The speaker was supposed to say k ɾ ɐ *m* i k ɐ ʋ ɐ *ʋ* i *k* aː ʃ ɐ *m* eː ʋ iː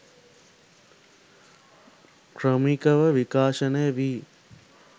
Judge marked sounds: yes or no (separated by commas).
yes, yes, yes, no